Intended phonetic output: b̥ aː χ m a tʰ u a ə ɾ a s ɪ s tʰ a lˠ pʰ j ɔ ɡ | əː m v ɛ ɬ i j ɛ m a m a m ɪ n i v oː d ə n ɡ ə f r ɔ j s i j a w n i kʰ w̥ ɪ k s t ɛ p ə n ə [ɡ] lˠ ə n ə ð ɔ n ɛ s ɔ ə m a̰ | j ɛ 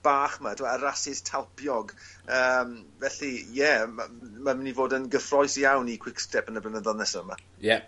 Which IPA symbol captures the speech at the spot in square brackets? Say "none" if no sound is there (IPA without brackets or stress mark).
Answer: b